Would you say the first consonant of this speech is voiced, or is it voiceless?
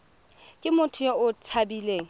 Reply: voiceless